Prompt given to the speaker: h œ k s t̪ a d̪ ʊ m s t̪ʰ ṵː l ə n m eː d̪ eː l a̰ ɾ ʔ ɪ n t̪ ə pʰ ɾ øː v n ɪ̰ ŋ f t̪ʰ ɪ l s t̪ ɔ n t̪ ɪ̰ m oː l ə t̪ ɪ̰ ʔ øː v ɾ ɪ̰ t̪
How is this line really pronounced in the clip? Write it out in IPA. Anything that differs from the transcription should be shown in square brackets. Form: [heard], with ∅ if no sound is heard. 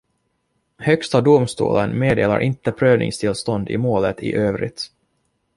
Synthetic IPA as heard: h œ k s t̪ a d̪ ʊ m s [t̪] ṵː l ə n m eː d̪ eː l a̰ ɾ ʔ ɪ n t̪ ə pʰ ɾ øː v n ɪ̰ ŋ [s] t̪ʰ ɪ l s t̪ ɔ n [d̪] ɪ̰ m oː l ə t̪ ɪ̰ ʔ øː v ɾ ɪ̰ t̪

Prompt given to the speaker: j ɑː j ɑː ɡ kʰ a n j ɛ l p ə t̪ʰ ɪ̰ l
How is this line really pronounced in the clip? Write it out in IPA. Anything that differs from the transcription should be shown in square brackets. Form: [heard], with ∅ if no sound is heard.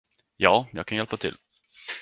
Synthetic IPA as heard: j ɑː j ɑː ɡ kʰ a n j ɛ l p [a] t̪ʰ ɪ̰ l

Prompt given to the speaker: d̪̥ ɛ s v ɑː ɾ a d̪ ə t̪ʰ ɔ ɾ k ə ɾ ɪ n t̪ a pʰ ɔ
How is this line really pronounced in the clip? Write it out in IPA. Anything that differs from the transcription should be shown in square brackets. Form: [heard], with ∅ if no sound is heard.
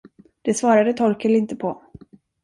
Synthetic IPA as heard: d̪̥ ɛ s v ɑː ɾ a d̪ ə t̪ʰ ɔ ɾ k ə [l] ɪ n t̪ [ə] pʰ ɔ

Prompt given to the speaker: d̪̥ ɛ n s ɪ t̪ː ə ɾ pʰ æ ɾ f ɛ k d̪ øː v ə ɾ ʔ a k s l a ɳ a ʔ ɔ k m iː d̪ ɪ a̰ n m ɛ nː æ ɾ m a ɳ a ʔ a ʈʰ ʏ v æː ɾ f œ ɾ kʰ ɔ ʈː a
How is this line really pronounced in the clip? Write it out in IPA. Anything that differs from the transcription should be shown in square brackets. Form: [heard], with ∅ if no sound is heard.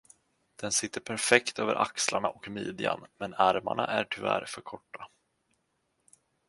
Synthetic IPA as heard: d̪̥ ɛ n s ɪ t̪ː ə ɾ pʰ æ ɾ f ɛ k [t̪] øː v ə ɾ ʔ a k s l a ɳ a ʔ ɔ k m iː d̪ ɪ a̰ n m ɛ [n] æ ɾ m a ɳ a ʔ [æ] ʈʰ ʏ v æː ɾ f œ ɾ kʰ ɔ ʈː a

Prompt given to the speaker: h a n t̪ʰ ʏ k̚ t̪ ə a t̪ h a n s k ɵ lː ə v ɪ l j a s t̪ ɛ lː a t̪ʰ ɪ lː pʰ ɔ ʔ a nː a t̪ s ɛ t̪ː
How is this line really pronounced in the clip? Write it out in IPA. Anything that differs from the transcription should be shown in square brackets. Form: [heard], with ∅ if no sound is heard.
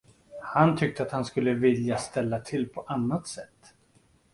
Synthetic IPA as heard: h a n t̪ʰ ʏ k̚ t̪ ə a t̪ h a n s k ɵ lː ə v ɪ l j a s t̪ ɛ lː a t̪ʰ ɪ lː pʰ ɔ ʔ a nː a t̪ s ɛ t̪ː

